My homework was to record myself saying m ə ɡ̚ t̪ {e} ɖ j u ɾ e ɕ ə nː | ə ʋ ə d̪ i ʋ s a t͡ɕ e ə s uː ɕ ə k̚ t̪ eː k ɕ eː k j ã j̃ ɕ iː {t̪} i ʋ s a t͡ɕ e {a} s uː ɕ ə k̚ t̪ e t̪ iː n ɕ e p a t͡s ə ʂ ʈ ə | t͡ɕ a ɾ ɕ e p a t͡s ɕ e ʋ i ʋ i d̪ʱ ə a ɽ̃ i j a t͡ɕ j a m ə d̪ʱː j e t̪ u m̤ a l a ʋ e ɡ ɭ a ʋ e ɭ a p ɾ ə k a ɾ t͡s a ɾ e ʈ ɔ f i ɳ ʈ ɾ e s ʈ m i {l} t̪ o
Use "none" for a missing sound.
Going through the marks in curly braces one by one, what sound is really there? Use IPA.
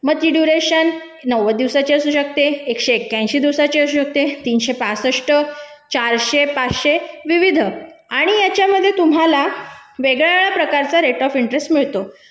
i, d̪, ə, ɭ

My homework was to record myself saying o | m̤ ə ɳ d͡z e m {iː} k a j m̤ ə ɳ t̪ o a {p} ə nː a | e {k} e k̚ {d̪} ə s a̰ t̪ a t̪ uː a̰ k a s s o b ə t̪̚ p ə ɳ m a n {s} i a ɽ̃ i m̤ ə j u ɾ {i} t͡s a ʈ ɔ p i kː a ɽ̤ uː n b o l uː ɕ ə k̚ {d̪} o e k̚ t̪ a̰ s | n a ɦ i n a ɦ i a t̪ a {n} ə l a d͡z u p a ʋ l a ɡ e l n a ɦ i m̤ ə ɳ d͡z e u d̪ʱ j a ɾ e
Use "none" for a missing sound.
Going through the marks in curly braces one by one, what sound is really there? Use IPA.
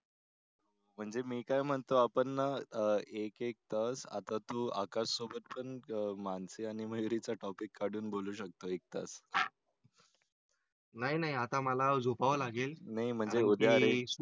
iː, p, k, t̪, s, i, t̪, m

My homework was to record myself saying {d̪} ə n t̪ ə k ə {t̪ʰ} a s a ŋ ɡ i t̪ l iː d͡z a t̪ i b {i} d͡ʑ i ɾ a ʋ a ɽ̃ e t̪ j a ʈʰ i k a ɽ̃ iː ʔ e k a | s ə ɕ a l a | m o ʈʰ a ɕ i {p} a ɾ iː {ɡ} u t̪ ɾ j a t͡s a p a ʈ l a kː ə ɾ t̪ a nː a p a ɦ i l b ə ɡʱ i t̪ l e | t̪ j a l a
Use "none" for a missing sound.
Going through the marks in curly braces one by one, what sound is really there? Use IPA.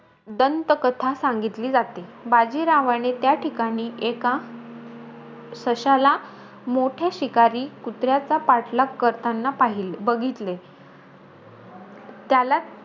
d̪, t̪ʰ, a, k, k

